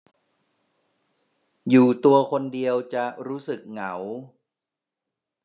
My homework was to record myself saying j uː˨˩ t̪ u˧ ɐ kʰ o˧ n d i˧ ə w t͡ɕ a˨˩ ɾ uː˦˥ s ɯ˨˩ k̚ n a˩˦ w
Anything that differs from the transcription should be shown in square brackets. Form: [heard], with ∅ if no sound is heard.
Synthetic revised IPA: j uː˨˩ t̪ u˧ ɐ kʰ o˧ n d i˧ ə w t͡ɕ a˨˩ ɾ uː˦˥ s ɯ˨˩ k̚ [ŋ] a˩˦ w